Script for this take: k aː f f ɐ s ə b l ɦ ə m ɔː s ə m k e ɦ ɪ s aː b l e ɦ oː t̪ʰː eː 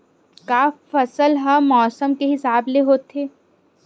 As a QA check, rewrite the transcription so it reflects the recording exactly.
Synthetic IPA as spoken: k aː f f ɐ s ə l ɦ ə m ɔː s ə m k e ɦ ɪ s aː b l e ɦ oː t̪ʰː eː